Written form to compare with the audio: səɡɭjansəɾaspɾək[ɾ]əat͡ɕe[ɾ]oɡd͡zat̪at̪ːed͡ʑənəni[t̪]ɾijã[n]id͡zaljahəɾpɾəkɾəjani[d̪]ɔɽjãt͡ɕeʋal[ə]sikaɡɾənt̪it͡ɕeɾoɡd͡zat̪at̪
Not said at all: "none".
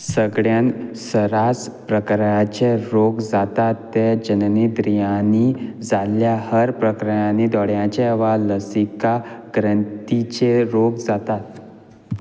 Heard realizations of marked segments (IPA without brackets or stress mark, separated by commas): ɾ, ɾ, d̪, n, d̪, ə